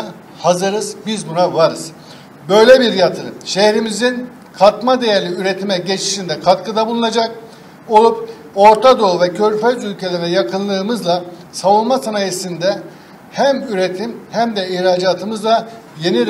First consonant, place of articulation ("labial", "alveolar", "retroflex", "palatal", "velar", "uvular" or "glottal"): glottal